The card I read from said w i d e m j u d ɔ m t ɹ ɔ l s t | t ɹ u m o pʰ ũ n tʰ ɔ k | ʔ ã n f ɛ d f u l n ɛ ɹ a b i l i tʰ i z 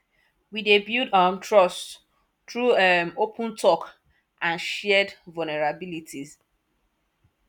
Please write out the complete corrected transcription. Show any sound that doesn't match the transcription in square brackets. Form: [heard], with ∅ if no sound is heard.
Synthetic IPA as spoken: w i d e [b] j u d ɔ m t ɹ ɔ [∅] s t | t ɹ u m o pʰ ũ n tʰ ɔ k | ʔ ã n [ʃ] ɛ d [v] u l n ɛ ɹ a b i l i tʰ i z